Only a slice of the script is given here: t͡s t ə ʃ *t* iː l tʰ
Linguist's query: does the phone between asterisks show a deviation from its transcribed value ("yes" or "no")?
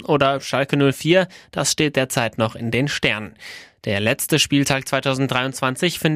yes